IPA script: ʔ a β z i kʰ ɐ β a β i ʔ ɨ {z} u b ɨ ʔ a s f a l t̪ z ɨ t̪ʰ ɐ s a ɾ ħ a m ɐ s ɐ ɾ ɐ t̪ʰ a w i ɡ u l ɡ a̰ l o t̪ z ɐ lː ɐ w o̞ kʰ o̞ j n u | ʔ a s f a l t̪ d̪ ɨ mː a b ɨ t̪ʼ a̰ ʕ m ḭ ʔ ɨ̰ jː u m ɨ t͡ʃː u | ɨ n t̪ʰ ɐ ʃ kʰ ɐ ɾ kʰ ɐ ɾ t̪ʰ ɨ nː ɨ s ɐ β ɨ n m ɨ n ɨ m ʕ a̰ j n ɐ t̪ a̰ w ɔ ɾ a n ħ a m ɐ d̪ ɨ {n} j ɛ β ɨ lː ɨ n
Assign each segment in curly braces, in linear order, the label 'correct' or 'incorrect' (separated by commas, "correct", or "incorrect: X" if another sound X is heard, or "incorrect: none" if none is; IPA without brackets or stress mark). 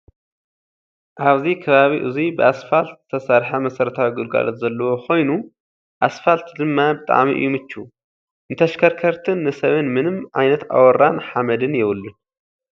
correct, correct